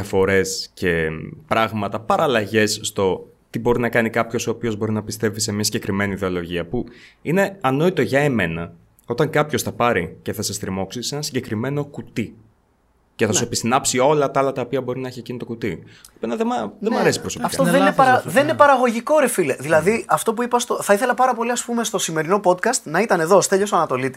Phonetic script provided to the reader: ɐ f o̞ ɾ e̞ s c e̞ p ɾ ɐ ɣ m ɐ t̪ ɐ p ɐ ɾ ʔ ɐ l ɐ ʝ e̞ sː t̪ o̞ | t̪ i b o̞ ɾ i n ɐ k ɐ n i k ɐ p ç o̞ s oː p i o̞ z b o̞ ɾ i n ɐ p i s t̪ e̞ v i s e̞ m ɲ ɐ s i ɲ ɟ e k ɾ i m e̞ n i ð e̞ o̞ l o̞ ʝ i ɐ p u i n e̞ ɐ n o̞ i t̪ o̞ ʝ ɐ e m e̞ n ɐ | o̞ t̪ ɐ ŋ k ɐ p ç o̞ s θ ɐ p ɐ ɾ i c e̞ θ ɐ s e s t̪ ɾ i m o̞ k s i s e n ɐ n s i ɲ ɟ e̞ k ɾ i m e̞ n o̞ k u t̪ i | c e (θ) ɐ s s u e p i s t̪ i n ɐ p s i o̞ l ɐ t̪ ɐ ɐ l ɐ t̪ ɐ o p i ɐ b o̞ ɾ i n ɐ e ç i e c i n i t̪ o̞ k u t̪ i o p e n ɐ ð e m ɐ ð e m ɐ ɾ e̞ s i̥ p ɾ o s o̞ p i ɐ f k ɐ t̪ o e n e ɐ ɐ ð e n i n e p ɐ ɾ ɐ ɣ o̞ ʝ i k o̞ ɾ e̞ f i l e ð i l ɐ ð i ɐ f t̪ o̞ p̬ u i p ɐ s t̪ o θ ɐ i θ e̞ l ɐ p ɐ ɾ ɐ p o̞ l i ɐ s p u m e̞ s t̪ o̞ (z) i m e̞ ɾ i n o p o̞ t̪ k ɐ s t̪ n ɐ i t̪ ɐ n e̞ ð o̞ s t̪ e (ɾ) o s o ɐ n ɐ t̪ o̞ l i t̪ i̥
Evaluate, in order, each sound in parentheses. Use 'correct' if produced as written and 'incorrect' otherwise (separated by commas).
correct, incorrect, incorrect